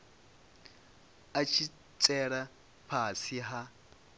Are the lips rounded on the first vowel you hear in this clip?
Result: no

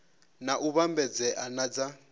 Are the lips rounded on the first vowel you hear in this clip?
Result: no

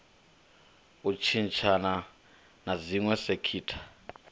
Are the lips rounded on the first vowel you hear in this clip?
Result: yes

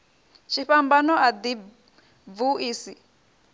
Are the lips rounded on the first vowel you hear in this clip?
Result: no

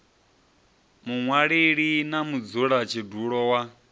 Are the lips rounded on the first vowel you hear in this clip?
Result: yes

